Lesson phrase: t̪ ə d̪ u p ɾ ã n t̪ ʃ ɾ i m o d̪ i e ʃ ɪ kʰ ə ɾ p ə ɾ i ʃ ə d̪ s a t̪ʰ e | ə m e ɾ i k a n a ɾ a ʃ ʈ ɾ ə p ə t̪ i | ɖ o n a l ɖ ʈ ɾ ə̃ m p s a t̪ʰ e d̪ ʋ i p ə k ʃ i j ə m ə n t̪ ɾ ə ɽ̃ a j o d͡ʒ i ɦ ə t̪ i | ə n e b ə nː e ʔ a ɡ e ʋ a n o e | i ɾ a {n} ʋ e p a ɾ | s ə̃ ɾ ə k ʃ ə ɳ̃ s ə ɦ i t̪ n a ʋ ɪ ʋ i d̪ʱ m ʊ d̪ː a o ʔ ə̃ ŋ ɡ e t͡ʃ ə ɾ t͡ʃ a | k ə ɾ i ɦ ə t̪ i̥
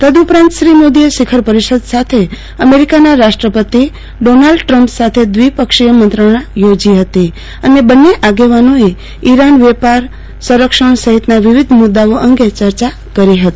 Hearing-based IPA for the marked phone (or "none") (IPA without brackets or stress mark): n